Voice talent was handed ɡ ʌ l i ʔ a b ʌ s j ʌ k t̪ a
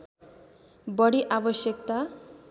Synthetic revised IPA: b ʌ ɽ i ʔ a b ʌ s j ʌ k t̪ a